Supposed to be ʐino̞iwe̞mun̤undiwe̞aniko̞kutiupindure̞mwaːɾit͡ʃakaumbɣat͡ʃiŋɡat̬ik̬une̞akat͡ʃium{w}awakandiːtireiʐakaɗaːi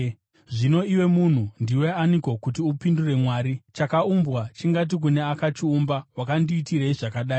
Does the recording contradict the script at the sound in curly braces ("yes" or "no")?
yes